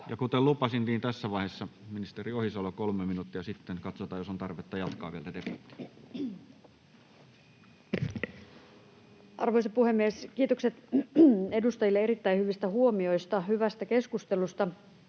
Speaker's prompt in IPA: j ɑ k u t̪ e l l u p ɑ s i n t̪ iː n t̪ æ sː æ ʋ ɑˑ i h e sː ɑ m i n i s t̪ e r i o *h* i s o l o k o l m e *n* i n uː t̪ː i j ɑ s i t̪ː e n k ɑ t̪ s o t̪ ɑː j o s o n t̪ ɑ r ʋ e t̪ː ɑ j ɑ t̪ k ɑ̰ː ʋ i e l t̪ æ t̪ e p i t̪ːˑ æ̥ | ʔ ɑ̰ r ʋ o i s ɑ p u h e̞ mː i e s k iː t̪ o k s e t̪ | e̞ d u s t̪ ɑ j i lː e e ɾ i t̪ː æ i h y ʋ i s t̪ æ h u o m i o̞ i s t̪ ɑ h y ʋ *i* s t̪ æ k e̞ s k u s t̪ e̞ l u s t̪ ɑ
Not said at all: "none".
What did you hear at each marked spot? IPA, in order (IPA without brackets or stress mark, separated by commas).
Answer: h, m, æ